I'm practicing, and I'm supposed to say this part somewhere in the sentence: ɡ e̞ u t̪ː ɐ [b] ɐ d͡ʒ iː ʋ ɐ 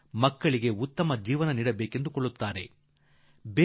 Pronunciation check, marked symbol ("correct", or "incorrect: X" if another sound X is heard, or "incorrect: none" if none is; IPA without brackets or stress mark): incorrect: m